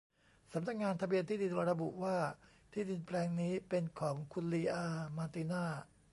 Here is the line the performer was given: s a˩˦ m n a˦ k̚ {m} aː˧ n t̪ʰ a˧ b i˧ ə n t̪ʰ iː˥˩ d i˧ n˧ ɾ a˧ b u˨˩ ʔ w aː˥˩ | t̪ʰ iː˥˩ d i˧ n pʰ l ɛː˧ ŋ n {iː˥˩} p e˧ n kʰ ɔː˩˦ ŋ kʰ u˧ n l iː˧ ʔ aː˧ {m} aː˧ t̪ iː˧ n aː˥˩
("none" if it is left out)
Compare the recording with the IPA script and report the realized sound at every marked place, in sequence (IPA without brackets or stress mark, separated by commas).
ŋ, iː˦˥, m